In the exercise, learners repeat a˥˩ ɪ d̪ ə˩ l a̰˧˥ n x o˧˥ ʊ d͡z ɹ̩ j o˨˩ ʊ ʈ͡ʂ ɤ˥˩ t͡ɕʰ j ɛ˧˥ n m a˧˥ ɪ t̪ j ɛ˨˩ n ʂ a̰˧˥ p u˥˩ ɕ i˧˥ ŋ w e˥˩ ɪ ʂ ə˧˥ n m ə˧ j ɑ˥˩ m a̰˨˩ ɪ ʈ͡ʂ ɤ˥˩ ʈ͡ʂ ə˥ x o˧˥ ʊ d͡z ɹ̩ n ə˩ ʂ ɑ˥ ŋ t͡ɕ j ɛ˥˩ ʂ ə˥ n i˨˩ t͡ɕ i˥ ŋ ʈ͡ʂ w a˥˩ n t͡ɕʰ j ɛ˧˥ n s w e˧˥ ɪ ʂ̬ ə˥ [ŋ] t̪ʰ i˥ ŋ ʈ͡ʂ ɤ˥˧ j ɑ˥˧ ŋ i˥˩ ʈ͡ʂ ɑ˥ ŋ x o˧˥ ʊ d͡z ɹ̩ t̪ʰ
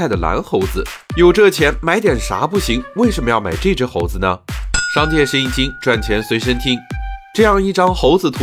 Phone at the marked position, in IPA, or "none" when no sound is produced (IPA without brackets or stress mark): n